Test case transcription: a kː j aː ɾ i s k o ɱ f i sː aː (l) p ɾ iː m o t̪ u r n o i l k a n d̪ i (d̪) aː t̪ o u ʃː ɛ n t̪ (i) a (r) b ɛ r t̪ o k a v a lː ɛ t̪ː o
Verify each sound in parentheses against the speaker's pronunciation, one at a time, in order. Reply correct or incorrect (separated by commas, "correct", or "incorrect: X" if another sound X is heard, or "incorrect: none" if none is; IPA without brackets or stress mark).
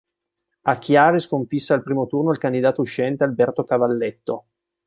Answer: correct, correct, incorrect: e, incorrect: l